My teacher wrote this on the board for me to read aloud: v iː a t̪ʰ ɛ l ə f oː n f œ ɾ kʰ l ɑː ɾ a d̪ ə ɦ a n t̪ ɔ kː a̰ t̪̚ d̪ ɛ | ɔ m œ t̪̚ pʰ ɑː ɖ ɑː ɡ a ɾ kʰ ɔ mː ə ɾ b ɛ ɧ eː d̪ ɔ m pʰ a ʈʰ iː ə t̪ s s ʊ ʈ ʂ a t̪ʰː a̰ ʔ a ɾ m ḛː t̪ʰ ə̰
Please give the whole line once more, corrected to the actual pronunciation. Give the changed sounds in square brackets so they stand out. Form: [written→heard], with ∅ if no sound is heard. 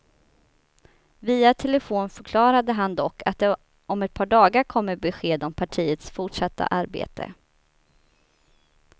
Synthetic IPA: v iː a t̪ʰ ɛ l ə f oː n f œ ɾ kʰ l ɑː ɾ a d̪ ə ɦ a n [t̪→d̪] ɔ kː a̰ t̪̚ d̪ ɛ | ɔ m [œ→ɛ] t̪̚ pʰ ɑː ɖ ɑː ɡ a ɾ kʰ ɔ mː ə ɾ b ɛ ɧ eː d̪ ɔ m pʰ a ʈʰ iː ə t̪ s [s→f] ʊ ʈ ʂ a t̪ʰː a̰ ʔ a ɾ [m→b] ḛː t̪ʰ ə̰